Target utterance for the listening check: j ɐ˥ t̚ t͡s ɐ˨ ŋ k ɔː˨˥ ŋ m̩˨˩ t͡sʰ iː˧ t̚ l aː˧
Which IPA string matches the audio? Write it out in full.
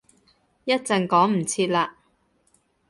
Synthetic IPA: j ɐ˥ t̚ t͡s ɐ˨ ŋ k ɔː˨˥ ŋ m̩˨˩ t͡sʰ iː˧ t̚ l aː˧